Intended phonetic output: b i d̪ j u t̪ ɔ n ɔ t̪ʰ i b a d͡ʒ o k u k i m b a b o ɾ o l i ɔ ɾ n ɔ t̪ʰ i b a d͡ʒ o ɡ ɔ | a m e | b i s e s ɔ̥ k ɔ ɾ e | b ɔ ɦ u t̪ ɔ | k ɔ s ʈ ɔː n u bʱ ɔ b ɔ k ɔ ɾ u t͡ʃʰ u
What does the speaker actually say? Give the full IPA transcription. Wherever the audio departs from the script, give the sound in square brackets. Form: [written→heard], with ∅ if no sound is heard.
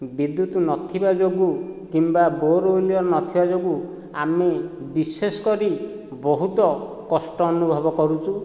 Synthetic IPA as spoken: b i d̪ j u t̪ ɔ n ɔ t̪ʰ i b a d͡ʒ o [k→ɡ] u k i m b a b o ɾ o l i ɔ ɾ n ɔ t̪ʰ i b a d͡ʒ o ɡ [ɔ→u] | a m e | b i s e s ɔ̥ k ɔ ɾ [e→i] | b ɔ ɦ u t̪ ɔ | k ɔ s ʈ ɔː n u bʱ ɔ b ɔ k ɔ ɾ u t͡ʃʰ u

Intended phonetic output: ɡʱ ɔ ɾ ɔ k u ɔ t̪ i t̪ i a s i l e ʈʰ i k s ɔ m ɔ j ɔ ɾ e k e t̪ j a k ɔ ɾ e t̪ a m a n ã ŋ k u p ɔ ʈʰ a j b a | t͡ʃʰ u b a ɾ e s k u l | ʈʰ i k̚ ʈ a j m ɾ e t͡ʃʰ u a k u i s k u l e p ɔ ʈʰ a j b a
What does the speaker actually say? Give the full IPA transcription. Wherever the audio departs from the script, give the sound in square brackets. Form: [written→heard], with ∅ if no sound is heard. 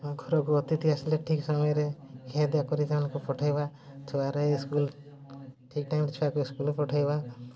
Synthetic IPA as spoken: ɡʱ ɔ ɾ ɔ k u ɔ t̪ i t̪ i a s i l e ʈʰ i k s ɔ m ɔ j ɔ ɾ e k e [t̪→d̪] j a k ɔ ɾ [e→i] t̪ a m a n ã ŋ k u p ɔ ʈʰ a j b a | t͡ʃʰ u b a ɾ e s k u l | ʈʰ i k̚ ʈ a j m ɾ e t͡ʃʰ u a k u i s k u l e p ɔ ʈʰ a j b a

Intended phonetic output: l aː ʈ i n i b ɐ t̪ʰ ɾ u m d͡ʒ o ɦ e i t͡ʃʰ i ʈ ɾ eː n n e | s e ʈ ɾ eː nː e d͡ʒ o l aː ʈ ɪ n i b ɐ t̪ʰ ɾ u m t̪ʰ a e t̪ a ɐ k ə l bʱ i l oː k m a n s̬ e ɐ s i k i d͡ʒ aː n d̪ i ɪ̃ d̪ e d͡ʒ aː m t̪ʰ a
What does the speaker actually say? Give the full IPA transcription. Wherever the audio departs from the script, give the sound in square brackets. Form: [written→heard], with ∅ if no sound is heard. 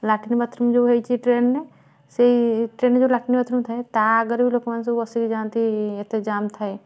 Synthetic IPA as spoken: l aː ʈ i n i b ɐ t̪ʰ ɾ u m d͡ʒ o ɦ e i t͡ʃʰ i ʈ ɾ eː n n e | s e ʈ ɾ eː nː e d͡ʒ o l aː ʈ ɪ n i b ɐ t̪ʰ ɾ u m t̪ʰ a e t̪ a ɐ [k→ɡ] ə [l→ɾ] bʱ i l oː k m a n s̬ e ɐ s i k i d͡ʒ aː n [d̪→t̪] i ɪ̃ [d̪→t̪] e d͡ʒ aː m t̪ʰ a

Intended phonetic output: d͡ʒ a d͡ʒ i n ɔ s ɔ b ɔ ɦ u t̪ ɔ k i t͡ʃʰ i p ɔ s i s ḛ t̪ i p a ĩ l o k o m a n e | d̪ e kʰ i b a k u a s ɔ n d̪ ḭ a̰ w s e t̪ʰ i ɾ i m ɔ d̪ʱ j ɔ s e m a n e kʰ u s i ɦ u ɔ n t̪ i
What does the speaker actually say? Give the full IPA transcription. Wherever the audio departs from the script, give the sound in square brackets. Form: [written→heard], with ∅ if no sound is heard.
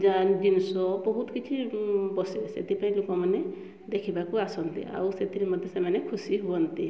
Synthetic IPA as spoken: d͡ʒ a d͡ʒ i n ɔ s ɔ b ɔ ɦ u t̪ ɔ k i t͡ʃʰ i [p→b] ɔ s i s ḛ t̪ i p a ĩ l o k [o→ɔ] m a n e | d̪ e kʰ i b a k u a s ɔ n [d̪→t̪] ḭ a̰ w s e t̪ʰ i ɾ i m ɔ d̪ʱ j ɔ s e m a n e kʰ u s i ɦ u ɔ n t̪ i

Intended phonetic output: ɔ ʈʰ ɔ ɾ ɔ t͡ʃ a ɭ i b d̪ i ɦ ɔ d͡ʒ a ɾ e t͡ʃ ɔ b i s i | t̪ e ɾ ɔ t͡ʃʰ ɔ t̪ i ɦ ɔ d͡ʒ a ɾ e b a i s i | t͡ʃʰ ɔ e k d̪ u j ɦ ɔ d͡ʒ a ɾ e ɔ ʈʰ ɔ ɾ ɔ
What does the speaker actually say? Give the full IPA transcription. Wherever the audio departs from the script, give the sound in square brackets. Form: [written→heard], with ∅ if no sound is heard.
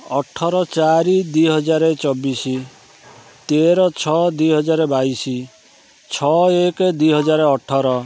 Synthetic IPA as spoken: ɔ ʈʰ ɔ ɾ ɔ t͡ʃ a [ɭ→ɾ] i [b→∅] d̪ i ɦ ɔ d͡ʒ a ɾ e t͡ʃ ɔ b i s i | t̪ e ɾ ɔ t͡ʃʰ ɔ [t̪→d̪] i ɦ ɔ d͡ʒ a ɾ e b a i s i | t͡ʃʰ ɔ e k d̪ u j ɦ ɔ d͡ʒ a ɾ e ɔ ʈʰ ɔ ɾ ɔ

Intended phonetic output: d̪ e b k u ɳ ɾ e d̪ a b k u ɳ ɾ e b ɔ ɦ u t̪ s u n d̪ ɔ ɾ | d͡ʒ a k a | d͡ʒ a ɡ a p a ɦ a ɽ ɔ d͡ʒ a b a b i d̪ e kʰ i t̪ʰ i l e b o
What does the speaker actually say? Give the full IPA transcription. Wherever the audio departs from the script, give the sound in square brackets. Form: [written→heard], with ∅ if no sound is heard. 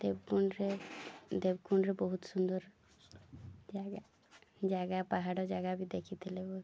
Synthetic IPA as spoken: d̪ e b k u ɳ ɾ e d̪ [a→e] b k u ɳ ɾ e b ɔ ɦ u t̪ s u n d̪ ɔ ɾ | d͡ʒ a [k→ɡ] a | d͡ʒ a ɡ a p a ɦ a ɽ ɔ d͡ʒ a [b→ɡ] a b i d̪ e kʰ i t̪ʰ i l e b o

